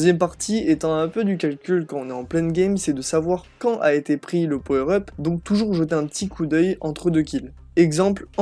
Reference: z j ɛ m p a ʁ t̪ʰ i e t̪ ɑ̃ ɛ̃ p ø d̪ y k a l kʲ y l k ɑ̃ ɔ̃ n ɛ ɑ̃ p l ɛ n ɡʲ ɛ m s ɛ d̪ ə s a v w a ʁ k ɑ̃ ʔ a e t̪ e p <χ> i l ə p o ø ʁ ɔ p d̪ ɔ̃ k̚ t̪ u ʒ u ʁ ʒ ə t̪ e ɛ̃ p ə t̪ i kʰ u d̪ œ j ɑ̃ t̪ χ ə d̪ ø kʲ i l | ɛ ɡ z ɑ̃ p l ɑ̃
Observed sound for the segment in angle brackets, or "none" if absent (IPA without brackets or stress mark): χ